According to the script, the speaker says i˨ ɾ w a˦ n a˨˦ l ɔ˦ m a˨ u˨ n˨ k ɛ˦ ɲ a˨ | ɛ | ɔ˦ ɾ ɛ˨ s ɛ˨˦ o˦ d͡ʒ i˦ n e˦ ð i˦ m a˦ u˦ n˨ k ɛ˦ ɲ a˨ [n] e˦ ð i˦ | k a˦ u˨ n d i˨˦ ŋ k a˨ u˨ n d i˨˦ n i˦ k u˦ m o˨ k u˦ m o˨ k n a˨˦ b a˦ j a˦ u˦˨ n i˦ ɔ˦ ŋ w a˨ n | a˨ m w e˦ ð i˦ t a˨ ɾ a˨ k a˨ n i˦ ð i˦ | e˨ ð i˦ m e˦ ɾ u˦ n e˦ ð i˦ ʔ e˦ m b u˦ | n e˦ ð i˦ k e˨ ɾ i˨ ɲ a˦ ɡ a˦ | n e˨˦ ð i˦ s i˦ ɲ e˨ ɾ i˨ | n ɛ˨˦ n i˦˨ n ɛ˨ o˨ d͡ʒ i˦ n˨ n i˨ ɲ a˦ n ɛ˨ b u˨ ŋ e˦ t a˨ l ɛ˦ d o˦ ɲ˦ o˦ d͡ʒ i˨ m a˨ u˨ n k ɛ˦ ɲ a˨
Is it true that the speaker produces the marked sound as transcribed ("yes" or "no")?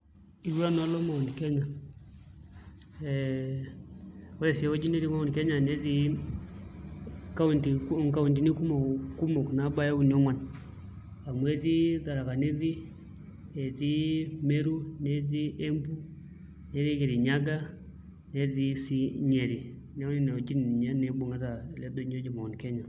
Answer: yes